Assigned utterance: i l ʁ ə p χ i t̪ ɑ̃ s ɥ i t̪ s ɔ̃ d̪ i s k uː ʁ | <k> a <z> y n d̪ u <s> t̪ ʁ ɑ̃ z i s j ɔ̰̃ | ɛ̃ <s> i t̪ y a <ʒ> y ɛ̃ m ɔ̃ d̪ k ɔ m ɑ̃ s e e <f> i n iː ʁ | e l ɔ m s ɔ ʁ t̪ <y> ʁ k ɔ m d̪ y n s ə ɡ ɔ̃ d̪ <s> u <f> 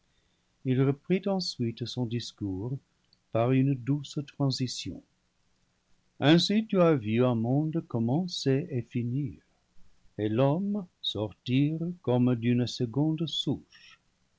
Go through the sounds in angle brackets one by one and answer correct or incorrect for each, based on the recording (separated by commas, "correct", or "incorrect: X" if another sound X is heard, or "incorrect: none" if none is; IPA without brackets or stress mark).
incorrect: p, incorrect: ʁ, correct, correct, incorrect: v, correct, incorrect: i, correct, incorrect: ʃ